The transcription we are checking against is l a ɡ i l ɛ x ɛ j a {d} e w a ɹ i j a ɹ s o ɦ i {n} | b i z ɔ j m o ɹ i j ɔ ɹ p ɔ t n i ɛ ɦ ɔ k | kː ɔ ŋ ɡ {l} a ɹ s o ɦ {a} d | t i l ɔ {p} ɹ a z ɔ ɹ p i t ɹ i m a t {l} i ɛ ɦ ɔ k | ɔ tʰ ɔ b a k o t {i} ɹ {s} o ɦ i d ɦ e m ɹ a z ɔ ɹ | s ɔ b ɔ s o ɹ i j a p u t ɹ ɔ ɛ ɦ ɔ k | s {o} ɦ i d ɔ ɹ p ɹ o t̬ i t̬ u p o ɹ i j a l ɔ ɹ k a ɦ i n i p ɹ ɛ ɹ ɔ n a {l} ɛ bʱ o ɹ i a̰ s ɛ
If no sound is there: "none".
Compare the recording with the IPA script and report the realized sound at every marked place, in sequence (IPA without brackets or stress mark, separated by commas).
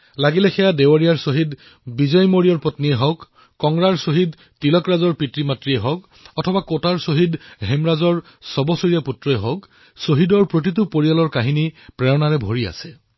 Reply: d, d, ɹ, i, k, ɹ, a, s, o, ɹ